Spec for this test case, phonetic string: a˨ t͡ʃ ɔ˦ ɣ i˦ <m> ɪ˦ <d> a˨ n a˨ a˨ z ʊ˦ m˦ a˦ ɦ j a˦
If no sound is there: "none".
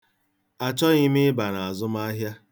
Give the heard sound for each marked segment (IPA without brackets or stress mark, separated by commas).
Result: m, b